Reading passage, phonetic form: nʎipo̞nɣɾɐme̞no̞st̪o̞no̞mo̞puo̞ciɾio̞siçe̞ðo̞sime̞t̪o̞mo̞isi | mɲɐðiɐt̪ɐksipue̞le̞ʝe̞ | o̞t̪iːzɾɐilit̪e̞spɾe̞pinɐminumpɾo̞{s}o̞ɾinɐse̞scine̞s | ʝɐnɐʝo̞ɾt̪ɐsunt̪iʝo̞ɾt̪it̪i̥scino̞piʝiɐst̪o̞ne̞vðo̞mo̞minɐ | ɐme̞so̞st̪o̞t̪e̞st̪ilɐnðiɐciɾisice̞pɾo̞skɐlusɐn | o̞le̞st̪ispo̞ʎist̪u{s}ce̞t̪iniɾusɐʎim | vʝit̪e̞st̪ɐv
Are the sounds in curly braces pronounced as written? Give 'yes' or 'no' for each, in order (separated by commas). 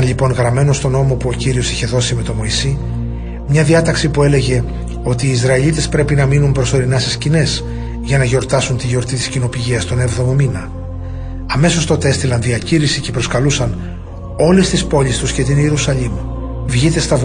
yes, yes